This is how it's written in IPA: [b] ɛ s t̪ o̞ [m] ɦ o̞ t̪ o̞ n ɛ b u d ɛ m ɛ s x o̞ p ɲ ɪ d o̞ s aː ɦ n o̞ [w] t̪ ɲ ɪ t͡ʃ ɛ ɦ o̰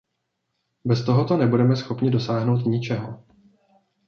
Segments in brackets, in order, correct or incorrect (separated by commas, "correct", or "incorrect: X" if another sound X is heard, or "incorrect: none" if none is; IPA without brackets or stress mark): correct, incorrect: none, correct